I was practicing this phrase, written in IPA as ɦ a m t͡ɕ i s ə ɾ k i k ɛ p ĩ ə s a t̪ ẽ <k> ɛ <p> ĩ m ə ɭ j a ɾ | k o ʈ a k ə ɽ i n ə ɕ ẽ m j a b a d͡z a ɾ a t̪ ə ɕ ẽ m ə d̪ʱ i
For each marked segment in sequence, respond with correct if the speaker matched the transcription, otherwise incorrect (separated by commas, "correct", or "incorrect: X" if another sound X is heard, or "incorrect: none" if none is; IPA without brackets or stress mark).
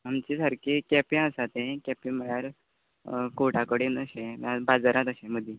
correct, correct